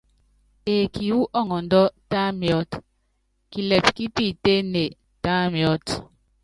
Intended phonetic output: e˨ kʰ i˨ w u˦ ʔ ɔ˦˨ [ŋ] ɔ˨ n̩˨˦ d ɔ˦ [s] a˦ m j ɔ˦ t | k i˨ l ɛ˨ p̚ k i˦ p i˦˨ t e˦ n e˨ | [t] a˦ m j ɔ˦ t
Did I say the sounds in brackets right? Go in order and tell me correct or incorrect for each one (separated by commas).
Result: correct, incorrect, correct